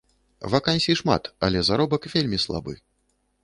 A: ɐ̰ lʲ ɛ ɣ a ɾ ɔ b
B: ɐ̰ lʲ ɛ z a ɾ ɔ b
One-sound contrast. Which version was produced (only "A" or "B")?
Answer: B